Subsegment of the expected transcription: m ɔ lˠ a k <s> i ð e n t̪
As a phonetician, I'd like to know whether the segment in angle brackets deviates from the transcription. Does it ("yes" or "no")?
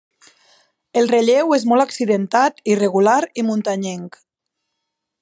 no